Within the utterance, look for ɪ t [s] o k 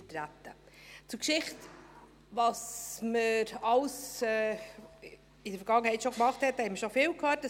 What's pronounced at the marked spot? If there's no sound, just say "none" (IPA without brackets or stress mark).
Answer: ʃ